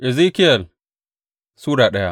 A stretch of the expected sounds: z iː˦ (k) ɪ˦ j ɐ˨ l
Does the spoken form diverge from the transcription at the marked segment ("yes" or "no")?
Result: no